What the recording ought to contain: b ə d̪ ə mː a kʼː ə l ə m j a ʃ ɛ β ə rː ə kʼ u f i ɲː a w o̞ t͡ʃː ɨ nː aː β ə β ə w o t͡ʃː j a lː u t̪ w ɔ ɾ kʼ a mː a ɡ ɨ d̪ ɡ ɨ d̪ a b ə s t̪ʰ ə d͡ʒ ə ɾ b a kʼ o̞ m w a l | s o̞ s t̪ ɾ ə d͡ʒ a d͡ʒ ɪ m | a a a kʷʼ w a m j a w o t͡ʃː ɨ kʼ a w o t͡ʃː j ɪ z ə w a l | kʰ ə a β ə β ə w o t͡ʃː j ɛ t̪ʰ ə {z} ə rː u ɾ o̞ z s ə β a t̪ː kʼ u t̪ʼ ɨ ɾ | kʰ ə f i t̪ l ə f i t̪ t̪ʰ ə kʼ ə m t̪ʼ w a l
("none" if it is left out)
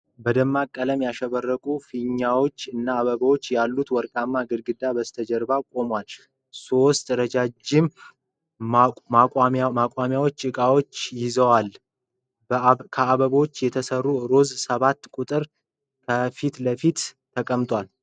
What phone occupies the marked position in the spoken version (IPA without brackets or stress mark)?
s